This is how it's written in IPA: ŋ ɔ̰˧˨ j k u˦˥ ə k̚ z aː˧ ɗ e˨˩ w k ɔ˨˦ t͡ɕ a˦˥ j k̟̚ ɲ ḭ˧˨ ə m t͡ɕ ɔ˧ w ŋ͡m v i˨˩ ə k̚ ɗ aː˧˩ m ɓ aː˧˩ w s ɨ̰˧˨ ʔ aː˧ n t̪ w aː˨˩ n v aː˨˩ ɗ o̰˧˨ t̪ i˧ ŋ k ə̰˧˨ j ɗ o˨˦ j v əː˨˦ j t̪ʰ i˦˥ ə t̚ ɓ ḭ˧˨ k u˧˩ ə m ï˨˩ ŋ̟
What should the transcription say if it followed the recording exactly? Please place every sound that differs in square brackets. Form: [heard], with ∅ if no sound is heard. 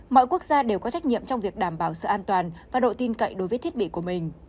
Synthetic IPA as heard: [m] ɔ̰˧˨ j k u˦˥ ə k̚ z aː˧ ɗ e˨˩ w k ɔ˨˦ t͡ɕ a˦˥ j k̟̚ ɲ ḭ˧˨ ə m t͡ɕ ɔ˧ w ŋ͡m v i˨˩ ə k̚ ɗ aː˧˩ m ɓ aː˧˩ w s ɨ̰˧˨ ʔ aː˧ n t̪ w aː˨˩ n v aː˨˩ ɗ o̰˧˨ t̪ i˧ [n] k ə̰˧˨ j ɗ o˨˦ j v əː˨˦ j t̪ʰ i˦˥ ə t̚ ɓ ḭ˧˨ k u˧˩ ə m ï˨˩ ŋ̟